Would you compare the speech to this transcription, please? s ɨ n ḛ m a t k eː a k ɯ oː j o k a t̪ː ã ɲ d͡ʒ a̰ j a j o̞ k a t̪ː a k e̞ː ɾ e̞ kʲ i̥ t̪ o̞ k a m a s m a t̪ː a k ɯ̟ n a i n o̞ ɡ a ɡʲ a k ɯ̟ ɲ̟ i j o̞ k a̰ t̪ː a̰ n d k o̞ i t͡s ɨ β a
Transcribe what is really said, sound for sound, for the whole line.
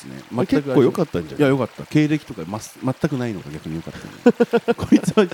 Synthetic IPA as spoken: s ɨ n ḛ m a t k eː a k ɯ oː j o k a t̪ː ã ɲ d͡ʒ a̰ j a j o̞ k a t̪ː a k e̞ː ɾ e̞ kʲ i̥ t̪ o̞ k a m a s m a t̪ː a k ɯ̟ n a i n o̞ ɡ a ɡʲ a k ɯ̟ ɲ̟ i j o̞ k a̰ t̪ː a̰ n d k o̞ i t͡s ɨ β a